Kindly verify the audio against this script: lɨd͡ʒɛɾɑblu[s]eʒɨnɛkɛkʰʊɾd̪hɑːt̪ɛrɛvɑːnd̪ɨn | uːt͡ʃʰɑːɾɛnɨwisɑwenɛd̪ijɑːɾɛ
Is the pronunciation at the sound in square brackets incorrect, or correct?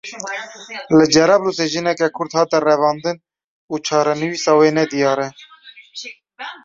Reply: correct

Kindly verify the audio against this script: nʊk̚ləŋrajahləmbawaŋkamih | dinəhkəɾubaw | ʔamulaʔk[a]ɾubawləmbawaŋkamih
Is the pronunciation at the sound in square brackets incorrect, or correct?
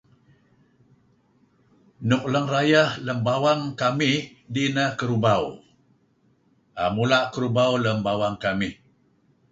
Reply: incorrect: ə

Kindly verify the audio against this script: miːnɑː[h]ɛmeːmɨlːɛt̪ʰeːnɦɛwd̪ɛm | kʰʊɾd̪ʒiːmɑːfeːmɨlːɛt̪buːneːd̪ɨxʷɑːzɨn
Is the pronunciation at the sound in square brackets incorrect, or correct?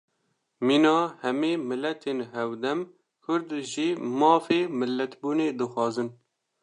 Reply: correct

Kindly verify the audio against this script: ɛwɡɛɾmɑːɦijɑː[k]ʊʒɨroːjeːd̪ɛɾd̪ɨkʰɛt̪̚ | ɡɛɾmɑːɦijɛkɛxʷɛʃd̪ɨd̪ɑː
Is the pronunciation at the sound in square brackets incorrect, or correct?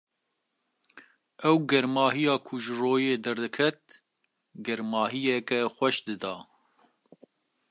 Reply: incorrect: kʰ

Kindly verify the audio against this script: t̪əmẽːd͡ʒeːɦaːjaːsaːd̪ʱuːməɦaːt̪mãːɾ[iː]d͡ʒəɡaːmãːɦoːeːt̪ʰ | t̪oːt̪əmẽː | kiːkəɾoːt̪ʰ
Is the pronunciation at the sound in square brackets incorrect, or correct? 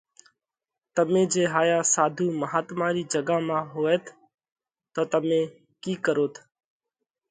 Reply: correct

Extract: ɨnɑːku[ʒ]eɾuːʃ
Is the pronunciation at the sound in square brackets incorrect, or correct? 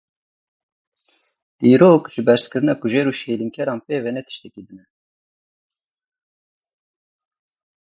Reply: correct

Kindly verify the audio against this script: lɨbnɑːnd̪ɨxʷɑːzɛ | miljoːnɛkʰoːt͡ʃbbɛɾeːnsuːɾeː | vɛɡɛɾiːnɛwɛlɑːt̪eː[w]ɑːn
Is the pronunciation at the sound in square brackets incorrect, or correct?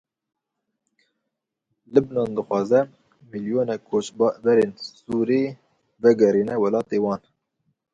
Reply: correct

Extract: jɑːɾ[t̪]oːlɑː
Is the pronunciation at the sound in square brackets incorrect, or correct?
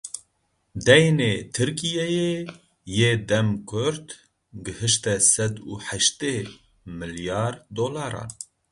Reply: incorrect: d̪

